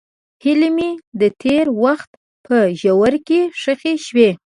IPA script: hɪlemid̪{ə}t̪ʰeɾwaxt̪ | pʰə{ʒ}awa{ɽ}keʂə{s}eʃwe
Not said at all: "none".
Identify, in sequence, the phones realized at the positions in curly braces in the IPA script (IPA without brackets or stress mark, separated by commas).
ə, ʒ, ɾ, x